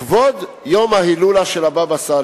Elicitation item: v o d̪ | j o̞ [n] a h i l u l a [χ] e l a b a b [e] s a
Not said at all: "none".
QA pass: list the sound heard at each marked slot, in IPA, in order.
m, ʃ, a

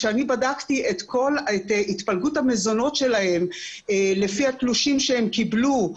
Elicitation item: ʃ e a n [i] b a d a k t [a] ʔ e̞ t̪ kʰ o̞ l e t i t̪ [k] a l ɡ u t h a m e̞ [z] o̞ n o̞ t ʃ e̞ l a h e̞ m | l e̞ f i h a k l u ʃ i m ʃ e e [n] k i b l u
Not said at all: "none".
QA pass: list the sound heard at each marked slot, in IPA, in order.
i, i, p, z, m

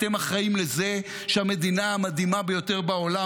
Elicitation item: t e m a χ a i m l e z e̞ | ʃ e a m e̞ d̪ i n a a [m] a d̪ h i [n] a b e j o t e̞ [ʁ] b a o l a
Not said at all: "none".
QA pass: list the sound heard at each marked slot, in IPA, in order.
m, m, ʁ

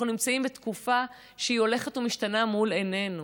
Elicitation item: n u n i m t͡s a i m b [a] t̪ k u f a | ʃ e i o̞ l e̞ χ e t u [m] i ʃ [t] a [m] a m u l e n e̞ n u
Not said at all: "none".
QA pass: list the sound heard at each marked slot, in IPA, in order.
e, m, t, n

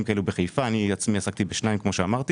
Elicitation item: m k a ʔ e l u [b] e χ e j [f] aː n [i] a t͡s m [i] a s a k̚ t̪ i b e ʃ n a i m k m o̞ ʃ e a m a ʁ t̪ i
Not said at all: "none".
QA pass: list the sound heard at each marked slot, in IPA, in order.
b, f, i, i

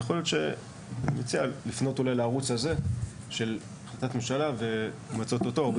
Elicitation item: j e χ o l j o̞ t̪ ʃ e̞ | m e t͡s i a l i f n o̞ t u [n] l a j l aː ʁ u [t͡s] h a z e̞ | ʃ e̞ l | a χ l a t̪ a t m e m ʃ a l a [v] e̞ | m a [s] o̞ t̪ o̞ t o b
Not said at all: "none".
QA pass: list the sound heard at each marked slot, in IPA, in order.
none, t͡s, v, t͡s

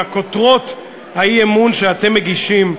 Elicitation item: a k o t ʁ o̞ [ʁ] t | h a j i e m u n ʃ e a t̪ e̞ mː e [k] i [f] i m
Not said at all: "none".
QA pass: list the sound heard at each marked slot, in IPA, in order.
none, ɡ, ʃ

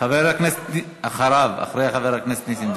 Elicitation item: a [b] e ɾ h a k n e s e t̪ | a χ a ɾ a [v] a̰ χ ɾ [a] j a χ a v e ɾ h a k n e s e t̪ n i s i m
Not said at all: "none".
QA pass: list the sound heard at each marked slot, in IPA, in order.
v, v, e

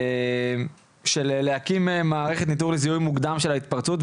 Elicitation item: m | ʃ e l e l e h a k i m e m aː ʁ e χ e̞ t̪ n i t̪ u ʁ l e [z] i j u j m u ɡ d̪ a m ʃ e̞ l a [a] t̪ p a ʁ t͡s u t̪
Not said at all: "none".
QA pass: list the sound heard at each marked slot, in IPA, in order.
z, i

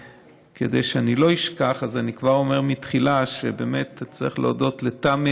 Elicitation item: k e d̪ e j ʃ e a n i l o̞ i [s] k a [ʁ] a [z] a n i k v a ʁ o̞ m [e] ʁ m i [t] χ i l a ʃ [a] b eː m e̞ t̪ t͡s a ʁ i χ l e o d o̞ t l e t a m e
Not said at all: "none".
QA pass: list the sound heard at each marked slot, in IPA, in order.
ʃ, χ, z, e, t, e

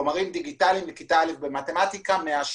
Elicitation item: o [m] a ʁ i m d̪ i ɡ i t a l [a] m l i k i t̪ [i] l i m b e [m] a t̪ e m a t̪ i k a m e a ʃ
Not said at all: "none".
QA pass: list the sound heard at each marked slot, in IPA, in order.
m, i, a, m

